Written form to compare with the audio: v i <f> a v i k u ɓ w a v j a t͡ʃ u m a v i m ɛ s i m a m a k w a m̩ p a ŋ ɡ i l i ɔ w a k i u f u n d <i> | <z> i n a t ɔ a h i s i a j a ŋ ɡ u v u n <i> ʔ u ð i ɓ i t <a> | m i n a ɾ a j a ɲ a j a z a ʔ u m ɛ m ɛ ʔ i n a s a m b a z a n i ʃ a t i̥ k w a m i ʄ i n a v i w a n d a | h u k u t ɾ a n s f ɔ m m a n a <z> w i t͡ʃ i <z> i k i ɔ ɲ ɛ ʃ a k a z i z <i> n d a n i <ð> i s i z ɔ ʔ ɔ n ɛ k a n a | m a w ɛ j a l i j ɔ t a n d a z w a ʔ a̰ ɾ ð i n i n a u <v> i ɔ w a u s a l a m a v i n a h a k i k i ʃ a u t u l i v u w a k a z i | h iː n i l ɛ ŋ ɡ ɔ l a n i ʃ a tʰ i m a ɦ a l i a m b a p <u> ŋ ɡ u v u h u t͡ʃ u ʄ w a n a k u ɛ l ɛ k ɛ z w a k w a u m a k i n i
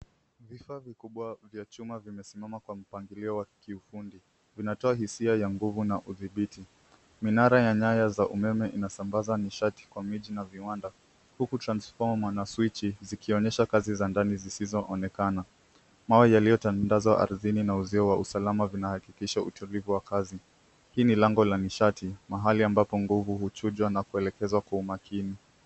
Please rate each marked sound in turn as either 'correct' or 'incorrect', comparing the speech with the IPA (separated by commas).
correct, correct, incorrect, incorrect, incorrect, incorrect, correct, incorrect, incorrect, incorrect, incorrect